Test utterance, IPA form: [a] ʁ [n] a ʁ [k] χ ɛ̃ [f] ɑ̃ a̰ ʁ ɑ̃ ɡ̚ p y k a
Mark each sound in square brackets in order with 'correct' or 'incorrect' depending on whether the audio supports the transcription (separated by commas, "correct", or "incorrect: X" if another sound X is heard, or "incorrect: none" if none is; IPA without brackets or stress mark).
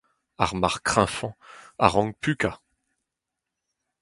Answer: correct, incorrect: m, correct, correct